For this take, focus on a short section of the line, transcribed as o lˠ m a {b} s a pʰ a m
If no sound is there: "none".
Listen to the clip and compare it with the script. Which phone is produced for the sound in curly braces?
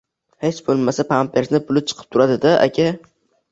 none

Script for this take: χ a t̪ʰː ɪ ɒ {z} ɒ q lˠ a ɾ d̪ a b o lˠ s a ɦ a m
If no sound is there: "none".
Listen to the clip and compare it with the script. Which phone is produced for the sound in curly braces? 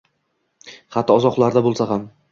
z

